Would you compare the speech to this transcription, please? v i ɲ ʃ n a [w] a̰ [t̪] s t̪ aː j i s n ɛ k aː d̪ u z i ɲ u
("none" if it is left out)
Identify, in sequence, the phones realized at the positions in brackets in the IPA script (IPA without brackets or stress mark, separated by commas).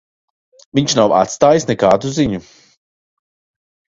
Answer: w, t̪